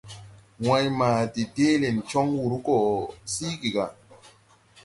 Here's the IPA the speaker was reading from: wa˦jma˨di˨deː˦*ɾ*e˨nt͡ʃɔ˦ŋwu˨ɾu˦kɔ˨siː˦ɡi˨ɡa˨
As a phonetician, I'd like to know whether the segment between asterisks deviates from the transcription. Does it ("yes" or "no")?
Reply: yes